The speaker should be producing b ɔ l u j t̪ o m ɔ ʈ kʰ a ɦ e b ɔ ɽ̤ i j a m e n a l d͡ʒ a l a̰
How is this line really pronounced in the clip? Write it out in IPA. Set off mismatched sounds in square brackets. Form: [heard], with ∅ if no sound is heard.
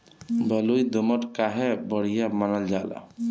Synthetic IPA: b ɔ l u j [d̪] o m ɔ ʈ [k] a ɦ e b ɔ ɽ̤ i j a m [a] n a l d͡ʒ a l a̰